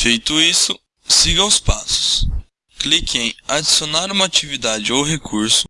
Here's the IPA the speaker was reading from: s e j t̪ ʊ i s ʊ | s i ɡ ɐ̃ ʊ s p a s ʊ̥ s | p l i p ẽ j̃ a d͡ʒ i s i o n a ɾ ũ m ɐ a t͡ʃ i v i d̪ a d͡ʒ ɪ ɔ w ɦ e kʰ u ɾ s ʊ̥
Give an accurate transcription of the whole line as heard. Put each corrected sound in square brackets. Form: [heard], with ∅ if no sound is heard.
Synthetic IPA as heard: [f] e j t̪ ʊ i s ʊ | s i ɡ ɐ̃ ʊ s p a s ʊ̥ s | [k] l i [k] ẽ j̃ a d͡ʒ i s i o n a ɾ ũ m ɐ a t͡ʃ i v i d̪ a d͡ʒ ɪ [o] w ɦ e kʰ u ɾ s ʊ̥